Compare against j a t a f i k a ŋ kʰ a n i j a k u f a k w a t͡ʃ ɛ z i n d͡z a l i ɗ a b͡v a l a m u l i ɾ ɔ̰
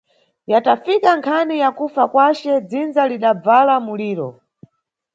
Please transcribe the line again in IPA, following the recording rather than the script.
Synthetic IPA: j a t a f i k a ŋ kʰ a n i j a k u f a k w a t͡ʃ ɛ d͡z i n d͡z a l i ɗ a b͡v a l a m u l iː ɾ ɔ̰

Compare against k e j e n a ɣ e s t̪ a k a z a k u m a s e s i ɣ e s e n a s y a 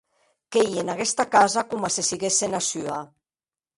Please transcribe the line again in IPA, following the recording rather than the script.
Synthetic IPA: k e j e n a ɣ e s t̪ a k a z a k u m a s e s i ɣ e s e n a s y a

